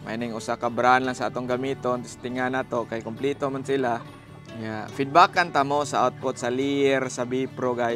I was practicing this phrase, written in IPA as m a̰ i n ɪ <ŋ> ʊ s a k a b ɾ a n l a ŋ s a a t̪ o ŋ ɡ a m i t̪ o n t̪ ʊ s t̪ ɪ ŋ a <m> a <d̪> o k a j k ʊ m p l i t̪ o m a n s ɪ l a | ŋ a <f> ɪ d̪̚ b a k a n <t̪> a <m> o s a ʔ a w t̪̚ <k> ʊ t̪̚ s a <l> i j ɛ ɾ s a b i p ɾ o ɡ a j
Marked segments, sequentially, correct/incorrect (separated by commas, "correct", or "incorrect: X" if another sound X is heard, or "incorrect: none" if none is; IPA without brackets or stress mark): correct, incorrect: n, incorrect: t̪, correct, correct, correct, incorrect: p, correct